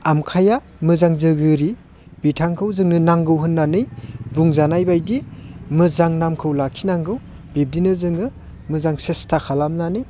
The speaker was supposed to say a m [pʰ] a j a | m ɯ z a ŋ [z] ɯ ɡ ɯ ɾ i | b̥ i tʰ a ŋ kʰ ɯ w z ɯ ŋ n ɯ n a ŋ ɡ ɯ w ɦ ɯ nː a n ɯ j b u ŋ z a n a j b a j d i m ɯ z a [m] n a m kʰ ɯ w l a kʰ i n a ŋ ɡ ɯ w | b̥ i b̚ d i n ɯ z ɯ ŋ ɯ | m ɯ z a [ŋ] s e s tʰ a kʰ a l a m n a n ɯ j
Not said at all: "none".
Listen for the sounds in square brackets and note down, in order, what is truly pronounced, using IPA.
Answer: kʰ, z, ŋ, ŋ

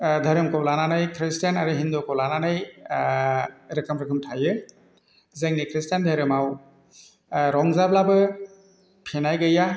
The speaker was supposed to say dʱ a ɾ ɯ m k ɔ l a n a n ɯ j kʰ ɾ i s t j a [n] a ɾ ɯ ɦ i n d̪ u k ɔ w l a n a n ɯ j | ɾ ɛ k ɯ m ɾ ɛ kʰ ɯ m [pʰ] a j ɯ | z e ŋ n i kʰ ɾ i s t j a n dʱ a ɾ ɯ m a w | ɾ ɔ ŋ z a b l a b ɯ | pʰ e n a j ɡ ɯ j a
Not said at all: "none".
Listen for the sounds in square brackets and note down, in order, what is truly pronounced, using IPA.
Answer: n, tʰ

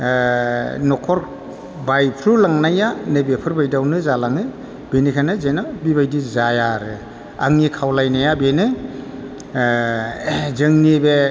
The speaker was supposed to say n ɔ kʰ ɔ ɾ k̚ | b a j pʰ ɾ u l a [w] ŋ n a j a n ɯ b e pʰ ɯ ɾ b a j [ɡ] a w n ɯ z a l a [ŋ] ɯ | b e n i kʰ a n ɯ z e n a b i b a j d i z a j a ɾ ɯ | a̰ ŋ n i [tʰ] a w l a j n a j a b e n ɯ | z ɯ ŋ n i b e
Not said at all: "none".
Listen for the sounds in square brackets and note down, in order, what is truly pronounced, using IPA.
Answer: none, d, ŋ, kʰ

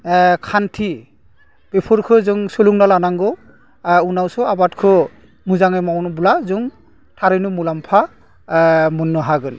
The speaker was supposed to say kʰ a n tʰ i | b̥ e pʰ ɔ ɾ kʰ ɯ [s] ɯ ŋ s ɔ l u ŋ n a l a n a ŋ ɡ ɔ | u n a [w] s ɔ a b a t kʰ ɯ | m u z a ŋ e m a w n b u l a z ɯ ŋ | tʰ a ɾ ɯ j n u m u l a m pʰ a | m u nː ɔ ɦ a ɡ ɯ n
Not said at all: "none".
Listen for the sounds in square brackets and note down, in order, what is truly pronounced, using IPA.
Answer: z, w

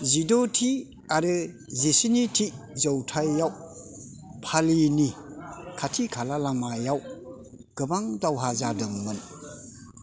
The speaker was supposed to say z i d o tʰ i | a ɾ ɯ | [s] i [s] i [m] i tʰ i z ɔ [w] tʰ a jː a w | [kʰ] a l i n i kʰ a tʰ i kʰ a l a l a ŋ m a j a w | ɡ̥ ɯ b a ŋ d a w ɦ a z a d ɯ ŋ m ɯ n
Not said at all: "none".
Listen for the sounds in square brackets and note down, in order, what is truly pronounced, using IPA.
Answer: z, s, n, w, pʰ

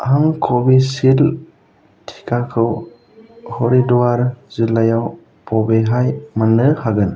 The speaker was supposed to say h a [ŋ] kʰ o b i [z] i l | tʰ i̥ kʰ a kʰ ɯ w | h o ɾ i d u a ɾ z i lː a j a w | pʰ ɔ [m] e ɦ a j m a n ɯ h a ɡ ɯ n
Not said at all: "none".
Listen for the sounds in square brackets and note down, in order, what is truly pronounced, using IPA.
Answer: ŋ, s, b

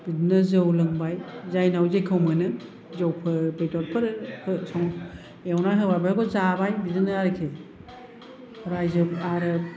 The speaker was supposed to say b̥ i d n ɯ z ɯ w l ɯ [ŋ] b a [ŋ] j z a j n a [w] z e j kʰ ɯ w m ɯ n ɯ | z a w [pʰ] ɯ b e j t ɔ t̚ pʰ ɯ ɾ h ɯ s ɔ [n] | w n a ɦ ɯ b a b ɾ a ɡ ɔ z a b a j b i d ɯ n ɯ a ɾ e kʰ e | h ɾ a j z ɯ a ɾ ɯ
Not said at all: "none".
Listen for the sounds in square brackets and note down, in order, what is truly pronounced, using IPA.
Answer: ŋ, none, w, pʰ, ŋ

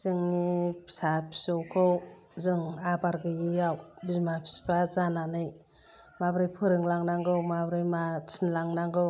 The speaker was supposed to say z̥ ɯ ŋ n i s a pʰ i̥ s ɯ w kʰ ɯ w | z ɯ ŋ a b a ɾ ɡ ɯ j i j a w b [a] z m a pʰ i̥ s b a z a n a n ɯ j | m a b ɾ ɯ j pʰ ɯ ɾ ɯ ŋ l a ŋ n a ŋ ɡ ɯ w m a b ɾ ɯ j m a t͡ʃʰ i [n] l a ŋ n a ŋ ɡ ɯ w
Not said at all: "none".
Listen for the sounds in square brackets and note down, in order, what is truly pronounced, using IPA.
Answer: i, n

